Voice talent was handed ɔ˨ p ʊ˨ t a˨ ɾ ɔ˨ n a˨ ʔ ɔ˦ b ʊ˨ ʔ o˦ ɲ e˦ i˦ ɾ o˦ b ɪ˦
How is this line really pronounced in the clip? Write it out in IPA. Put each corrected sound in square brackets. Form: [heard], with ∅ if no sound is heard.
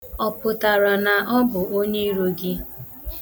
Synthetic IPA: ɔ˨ p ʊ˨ t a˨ ɾ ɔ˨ n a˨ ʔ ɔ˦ b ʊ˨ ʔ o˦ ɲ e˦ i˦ ɾ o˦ [ɡ] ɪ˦